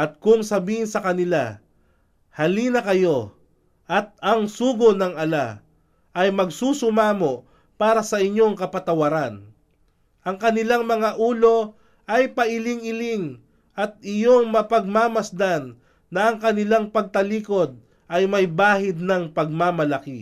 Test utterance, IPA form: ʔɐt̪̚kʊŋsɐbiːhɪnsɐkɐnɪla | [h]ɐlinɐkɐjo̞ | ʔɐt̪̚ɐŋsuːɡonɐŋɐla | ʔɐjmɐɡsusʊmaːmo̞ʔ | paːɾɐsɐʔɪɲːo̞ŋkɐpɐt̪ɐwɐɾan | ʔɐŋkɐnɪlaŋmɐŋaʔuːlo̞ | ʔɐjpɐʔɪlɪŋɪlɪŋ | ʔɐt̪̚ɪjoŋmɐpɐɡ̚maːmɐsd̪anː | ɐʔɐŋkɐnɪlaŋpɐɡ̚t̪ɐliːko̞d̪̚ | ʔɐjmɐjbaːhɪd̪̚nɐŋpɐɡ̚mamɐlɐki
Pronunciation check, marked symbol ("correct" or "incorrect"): correct